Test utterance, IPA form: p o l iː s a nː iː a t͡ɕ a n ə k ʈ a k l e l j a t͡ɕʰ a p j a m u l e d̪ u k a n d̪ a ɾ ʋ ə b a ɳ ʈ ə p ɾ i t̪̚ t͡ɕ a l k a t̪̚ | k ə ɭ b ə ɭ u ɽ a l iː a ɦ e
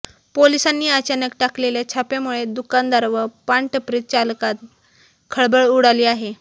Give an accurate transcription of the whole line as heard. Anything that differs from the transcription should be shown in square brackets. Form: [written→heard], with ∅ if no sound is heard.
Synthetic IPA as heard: p o l [iː→i] s a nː iː a t͡ɕ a n ə k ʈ a k l e l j a t͡ɕʰ a p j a m u [l→ɭ] e d̪ u k a n d̪ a ɾ ʋ ə [b→p] a ɳ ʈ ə p ɾ i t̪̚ t͡ɕ a l k a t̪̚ | [k→kʰ] ə ɭ b ə ɭ u ɽ a l iː a ɦ e

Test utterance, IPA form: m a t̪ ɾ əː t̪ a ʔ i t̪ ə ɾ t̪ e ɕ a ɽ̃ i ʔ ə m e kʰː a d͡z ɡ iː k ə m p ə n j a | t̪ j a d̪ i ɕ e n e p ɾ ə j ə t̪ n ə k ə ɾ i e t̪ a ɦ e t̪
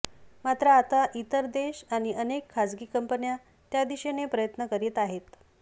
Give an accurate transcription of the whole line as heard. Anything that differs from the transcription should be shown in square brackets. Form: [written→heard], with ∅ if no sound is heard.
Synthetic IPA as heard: m a t̪ ɾ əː t̪ a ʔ i t̪ ə ɾ [t̪→d̪] e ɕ a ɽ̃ i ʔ ə [m→n] e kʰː a d͡z ɡ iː k ə m p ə n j a | t̪ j a d̪ i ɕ e n e p ɾ ə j ə t̪ n ə k ə ɾ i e t̪ a ɦ e t̪

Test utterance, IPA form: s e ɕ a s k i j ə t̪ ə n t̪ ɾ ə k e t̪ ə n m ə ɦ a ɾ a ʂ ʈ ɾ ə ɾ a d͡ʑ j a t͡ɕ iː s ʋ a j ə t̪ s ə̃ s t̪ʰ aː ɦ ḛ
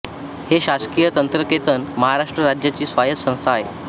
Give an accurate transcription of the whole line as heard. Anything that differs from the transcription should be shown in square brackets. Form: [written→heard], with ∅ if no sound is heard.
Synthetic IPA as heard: [s→h] e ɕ a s k i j ə t̪ ə n t̪ ɾ ə k e t̪ ə n m ə ɦ a ɾ a ʂ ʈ ɾ ə ɾ a d͡ʑ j a t͡ɕ iː s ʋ a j ə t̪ s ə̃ s t̪ʰ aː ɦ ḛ

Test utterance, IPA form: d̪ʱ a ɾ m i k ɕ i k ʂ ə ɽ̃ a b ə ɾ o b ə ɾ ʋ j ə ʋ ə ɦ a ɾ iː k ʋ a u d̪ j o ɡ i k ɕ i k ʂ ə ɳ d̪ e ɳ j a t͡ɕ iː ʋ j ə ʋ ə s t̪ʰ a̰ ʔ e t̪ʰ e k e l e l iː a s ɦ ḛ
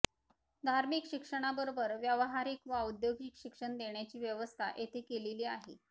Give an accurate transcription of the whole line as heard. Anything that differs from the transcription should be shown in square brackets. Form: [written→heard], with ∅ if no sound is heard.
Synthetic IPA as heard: d̪ʱ a ɾ m i k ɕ i k ʂ ə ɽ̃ a b ə ɾ o b ə ɾ ʋ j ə ʋ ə ɦ a ɾ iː k ʋ a u d̪ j o ɡ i k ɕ i k ʂ ə ɳ d̪ e ɳ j a t͡ɕ iː ʋ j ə ʋ ə s t̪ʰ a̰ ʔ e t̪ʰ e k e l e l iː a [s→∅] ɦ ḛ

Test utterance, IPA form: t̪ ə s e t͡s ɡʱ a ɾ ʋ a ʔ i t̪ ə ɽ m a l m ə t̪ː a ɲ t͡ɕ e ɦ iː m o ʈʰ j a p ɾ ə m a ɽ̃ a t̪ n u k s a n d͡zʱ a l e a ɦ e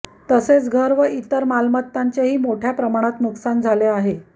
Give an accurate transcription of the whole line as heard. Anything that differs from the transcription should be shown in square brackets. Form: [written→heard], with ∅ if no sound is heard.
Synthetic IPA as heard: t̪ ə s e t͡s ɡʱ [a→ə] ɾ ʋ [a→ə] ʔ i t̪ ə [ɽ→ɾ] m a l m ə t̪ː a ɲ t͡ɕ e ɦ iː m o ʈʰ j a p ɾ ə m a ɽ̃ a t̪ n u k s a n d͡zʱ a l e a ɦ e

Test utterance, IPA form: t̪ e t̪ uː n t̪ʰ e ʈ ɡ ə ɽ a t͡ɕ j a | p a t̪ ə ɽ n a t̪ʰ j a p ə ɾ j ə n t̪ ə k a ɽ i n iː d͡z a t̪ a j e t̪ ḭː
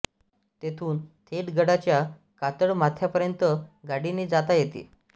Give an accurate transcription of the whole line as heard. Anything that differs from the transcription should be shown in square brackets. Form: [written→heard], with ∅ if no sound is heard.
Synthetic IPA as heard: t̪ e [t̪→t̪ʰ] uː n t̪ʰ e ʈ ɡ ə ɽ a t͡ɕ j a | [p→k] a t̪ ə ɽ [n→m] a t̪ʰ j a p ə ɾ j ə n t̪ ə [k→ɡ] a ɽ i n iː d͡z a t̪ a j e t̪ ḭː

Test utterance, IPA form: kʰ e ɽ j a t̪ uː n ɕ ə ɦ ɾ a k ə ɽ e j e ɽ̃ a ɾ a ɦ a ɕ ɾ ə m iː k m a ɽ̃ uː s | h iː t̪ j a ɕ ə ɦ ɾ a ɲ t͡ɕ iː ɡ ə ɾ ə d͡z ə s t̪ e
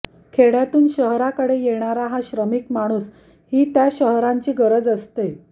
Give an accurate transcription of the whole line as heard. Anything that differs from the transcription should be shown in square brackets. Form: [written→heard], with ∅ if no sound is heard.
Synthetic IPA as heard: kʰ e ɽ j a t̪ uː n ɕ ə ɦ ɾ a k ə ɽ e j e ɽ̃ a ɾ a ɦ a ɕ ɾ ə m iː k m a ɽ̃ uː s | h iː t̪ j a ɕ ə ɦ ɾ a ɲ t͡ɕ iː ɡ ə ɾ ə d͡z ə s t̪ e

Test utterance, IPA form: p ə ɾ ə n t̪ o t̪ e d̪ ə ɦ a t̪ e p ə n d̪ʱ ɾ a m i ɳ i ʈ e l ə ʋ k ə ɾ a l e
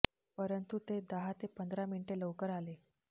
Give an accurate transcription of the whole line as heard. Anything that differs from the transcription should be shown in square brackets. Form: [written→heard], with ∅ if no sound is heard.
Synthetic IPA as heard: p ə ɾ ə n t̪ [o→u] t̪ e d̪ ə ɦ a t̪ e p ə n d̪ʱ ɾ a m i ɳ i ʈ e l ə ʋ k ə ɾ a l e

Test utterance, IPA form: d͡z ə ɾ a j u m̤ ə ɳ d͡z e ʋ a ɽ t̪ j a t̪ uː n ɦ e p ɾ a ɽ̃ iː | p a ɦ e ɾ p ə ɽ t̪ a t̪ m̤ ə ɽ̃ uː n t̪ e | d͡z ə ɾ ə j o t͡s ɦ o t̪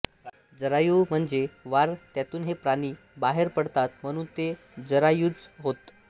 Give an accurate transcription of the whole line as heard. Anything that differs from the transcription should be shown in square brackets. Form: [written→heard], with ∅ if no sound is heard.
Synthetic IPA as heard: d͡z ə ɾ a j u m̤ ə ɳ d͡z e ʋ a [ɽ→ɾ] t̪ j a t̪ uː n ɦ e p ɾ a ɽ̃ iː | [p→b] a ɦ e ɾ p ə ɽ t̪ a t̪ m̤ ə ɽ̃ uː n t̪ e | d͡z ə ɾ [ə→a] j [o→u] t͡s ɦ o t̪

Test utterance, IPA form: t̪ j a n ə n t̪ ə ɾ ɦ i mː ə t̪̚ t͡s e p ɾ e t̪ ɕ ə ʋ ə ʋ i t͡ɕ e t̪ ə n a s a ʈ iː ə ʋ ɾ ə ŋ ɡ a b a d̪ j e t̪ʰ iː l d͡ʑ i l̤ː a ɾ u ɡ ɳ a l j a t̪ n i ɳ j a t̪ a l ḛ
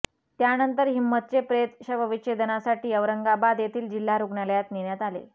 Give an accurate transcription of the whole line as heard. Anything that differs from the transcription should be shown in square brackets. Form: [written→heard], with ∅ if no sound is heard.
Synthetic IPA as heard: t̪ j a n ə n t̪ ə ɾ ɦ i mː ə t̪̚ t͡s e p ɾ e t̪ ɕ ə ʋ ə ʋ i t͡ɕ e [t̪→d̪] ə n a s a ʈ iː ə ʋ ɾ ə ŋ ɡ a b a d̪ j e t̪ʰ iː l d͡ʑ i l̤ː a ɾ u ɡ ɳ a l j a t̪ n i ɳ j a t̪ a l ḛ

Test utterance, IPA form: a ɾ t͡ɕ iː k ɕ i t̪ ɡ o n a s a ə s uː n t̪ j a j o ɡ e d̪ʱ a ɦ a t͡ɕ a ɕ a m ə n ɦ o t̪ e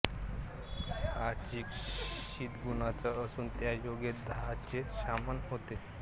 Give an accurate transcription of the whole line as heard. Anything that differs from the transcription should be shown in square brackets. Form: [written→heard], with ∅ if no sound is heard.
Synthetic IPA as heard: a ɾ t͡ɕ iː k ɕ i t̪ ɡ [o→u] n a [s→t͡s] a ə s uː n t̪ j a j o ɡ e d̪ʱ a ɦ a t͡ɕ [a→e] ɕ a m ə n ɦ o t̪ e

